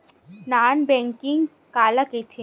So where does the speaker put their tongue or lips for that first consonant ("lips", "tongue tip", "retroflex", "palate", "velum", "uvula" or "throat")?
tongue tip